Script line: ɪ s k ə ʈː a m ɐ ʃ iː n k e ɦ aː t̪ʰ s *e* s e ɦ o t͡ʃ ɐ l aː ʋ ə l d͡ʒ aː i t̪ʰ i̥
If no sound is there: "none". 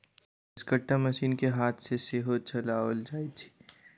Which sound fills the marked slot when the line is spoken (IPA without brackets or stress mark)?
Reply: e